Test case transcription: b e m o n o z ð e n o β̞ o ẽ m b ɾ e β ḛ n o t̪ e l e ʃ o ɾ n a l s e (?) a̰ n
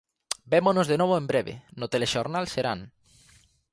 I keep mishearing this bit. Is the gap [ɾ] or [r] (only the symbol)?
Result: ɾ